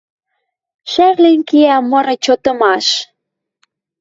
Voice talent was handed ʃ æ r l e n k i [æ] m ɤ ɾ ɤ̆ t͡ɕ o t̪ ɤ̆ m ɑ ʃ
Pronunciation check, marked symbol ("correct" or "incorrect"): correct